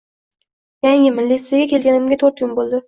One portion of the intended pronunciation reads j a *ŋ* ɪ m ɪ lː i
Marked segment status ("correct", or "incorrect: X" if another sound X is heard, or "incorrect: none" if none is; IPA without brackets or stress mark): correct